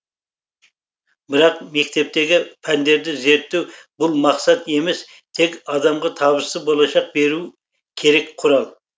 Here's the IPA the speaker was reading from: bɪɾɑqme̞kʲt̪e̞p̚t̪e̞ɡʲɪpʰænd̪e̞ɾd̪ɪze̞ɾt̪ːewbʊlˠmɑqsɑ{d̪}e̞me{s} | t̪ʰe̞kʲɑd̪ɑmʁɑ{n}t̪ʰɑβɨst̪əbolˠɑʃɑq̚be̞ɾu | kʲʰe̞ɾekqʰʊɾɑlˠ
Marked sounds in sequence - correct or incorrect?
incorrect, correct, incorrect

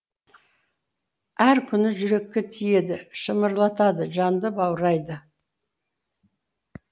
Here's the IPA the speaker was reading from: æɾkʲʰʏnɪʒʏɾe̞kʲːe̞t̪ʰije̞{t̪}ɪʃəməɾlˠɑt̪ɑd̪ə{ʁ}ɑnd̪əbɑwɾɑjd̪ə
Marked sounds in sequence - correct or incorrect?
incorrect, incorrect

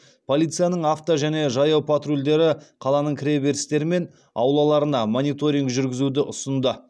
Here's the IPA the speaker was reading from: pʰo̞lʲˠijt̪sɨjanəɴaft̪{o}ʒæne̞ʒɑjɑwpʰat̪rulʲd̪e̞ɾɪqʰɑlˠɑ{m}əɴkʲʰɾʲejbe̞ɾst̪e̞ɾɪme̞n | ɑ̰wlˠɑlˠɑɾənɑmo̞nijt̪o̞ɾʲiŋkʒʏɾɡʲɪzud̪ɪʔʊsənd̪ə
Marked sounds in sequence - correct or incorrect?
correct, incorrect

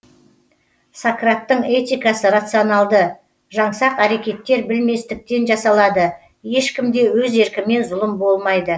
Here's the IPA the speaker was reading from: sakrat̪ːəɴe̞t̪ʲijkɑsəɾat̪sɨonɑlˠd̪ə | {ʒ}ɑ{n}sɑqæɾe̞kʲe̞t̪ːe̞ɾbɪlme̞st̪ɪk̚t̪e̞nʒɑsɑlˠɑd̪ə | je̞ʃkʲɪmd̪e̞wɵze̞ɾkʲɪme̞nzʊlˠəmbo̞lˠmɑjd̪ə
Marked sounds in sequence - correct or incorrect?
correct, incorrect

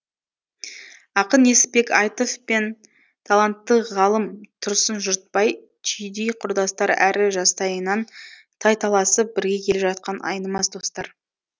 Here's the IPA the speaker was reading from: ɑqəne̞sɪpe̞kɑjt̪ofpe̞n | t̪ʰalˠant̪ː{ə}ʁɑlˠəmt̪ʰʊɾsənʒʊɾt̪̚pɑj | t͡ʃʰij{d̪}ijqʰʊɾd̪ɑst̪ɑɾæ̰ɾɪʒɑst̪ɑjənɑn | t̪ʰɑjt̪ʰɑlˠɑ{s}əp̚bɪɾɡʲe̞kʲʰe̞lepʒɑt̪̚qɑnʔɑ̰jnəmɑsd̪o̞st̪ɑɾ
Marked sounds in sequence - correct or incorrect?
correct, correct, correct

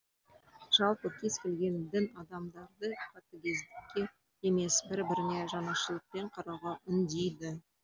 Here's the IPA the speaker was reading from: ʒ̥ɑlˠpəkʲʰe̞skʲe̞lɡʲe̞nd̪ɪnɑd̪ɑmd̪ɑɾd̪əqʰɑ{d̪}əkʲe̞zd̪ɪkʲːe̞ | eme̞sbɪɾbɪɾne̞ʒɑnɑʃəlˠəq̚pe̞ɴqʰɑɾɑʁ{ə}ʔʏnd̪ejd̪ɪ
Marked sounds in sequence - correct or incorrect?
incorrect, incorrect

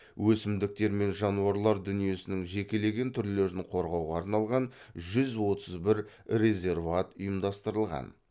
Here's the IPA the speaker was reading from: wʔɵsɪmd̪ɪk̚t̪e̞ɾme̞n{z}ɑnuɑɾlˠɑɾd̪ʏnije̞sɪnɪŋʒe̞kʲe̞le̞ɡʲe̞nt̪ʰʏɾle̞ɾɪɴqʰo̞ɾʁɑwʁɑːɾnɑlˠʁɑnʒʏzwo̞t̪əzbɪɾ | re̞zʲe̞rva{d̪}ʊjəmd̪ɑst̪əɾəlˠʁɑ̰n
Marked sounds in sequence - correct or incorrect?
incorrect, incorrect

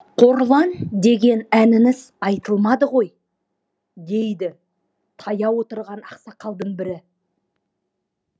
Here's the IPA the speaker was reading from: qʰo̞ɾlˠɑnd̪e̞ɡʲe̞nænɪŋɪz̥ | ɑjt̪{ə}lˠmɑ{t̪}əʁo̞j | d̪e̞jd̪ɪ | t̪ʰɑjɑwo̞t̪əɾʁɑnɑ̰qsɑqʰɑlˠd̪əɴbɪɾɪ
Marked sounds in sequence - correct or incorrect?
correct, incorrect

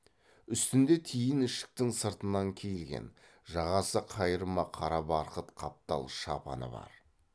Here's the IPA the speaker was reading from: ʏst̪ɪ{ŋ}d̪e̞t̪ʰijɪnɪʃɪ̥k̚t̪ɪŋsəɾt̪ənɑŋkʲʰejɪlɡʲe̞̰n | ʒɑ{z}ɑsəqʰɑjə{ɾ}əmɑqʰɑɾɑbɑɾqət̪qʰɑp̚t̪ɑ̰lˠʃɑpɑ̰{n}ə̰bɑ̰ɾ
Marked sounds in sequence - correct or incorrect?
incorrect, incorrect, correct, correct

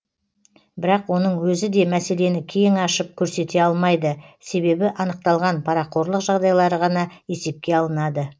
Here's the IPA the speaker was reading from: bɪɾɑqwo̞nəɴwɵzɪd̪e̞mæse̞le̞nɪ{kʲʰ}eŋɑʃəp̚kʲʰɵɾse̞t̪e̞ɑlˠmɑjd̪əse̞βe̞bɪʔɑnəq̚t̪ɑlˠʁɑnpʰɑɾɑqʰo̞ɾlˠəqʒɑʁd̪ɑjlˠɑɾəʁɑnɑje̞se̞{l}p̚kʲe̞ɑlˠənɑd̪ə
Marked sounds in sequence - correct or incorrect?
correct, incorrect

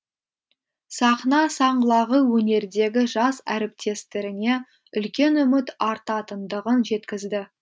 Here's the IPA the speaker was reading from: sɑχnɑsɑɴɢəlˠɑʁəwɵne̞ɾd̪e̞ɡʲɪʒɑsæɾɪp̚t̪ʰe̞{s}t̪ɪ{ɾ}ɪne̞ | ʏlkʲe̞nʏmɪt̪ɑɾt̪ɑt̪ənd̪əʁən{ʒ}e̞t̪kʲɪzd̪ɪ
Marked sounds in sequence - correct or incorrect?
correct, correct, correct

